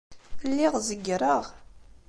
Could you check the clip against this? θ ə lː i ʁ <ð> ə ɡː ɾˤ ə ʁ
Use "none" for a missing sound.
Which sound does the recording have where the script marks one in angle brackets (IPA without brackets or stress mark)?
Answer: z